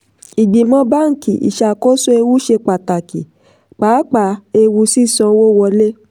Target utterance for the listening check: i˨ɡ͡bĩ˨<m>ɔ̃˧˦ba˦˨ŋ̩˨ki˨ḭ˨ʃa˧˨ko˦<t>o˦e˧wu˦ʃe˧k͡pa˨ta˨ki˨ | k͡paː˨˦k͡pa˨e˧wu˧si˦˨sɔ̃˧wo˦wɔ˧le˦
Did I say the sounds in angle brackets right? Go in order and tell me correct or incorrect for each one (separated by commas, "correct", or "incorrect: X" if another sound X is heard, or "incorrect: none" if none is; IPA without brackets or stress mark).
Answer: correct, incorrect: s